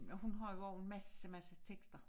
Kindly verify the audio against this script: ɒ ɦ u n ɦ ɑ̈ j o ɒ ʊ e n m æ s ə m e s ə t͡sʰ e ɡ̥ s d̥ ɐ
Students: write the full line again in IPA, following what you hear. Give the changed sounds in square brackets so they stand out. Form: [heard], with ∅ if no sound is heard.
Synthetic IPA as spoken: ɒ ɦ u n ɦ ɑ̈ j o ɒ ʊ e n m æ s ə m [æ] s ə t͡sʰ e ɡ̥ s d̥ ɐ